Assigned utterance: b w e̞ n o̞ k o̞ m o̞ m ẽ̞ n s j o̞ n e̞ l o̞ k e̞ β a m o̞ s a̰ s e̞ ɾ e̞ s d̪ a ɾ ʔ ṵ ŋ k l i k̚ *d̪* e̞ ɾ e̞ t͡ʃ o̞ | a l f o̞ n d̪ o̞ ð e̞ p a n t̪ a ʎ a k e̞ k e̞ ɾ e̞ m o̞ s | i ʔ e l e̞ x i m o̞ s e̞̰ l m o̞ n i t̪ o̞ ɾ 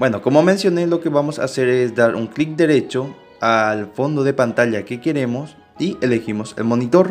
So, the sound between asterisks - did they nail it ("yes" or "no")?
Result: yes